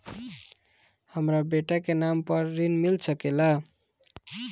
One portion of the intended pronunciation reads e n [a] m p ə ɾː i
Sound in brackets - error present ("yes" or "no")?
no